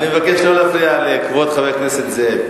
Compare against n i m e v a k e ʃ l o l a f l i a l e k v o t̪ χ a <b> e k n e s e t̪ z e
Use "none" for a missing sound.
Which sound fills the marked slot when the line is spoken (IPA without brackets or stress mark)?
v